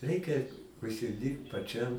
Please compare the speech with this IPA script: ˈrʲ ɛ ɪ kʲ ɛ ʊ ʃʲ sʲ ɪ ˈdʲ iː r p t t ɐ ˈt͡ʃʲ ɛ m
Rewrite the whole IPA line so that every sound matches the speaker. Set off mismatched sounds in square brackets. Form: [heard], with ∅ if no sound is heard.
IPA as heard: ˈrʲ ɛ ɪ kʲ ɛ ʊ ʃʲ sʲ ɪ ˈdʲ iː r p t [p] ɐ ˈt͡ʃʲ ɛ m